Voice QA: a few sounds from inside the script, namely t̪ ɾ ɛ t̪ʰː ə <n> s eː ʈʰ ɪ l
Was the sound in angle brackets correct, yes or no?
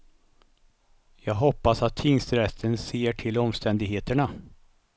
yes